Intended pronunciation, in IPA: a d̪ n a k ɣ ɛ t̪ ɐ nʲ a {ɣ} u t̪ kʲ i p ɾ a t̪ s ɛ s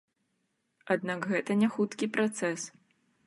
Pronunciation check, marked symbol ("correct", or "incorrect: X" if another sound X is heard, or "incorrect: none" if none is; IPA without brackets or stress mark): incorrect: x